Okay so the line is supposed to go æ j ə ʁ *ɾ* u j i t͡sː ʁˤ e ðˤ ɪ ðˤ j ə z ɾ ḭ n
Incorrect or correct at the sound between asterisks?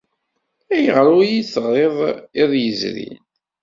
correct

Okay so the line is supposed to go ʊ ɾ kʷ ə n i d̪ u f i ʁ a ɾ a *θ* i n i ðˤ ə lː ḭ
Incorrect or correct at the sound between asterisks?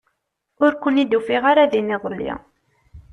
incorrect: ð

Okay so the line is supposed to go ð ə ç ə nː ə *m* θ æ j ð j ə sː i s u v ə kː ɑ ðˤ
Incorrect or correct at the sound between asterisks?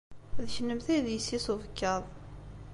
correct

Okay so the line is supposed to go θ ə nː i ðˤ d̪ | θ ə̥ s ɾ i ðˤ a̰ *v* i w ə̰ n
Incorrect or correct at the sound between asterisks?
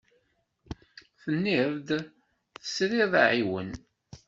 incorrect: ʕ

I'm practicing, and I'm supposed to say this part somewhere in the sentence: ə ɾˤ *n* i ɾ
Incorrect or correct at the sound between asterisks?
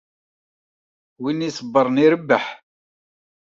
correct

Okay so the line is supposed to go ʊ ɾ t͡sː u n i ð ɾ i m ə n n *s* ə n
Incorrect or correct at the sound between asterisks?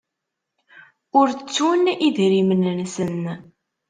correct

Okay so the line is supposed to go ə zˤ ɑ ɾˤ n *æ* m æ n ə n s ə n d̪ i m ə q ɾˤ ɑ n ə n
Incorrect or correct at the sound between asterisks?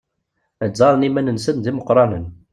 incorrect: i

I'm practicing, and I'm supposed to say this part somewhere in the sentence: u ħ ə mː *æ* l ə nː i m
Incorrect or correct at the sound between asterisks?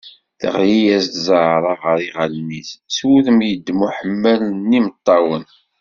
correct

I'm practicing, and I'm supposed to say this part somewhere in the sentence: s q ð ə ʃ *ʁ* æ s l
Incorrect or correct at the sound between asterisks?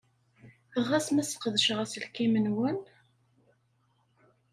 correct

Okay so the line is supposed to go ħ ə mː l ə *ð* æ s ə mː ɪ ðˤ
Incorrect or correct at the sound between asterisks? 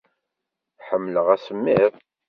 incorrect: ʁ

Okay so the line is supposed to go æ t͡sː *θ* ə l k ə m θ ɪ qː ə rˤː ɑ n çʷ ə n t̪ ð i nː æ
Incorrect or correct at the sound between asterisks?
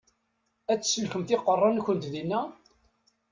incorrect: s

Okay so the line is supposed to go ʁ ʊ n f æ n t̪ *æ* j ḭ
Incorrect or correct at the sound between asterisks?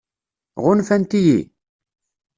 incorrect: i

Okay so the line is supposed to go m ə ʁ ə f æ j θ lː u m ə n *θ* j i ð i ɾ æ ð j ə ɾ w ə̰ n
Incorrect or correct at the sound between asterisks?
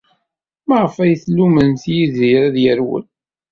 correct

